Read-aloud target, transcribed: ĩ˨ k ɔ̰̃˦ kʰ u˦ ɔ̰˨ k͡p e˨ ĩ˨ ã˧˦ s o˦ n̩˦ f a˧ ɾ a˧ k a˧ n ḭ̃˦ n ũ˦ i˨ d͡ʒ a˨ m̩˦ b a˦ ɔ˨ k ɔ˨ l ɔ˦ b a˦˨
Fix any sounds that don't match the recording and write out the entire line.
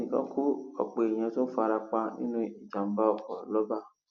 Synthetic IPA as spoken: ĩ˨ k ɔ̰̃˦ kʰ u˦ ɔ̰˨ k͡p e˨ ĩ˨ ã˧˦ t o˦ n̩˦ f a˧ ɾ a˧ k͡p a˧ n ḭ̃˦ n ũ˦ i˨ d͡ʒ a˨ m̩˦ b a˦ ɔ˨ k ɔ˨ l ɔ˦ b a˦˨

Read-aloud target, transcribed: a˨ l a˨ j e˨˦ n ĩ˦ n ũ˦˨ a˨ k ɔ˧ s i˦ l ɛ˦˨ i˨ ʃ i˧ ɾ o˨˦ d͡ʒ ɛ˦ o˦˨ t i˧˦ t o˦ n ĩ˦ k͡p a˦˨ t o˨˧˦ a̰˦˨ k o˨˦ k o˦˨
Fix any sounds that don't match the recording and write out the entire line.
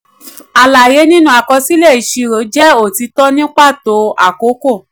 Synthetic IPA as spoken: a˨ l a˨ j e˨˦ n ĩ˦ n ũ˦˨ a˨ k ɔ˧ s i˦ l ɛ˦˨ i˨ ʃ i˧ ɾ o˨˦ d͡ʒ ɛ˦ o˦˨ t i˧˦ t ɔ˦ n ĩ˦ k͡p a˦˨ t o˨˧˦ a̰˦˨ k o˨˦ k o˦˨

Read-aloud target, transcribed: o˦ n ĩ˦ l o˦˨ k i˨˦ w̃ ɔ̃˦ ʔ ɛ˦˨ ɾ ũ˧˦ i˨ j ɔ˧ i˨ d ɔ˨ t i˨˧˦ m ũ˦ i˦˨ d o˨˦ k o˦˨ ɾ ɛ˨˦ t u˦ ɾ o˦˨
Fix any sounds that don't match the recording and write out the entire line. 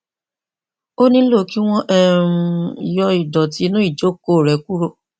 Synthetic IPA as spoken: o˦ n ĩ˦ l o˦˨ k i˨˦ w̃ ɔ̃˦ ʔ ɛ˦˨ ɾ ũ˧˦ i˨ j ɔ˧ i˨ d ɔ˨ t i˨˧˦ n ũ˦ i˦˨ d͡ʒ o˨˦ k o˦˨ ɾ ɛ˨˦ k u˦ ɾ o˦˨

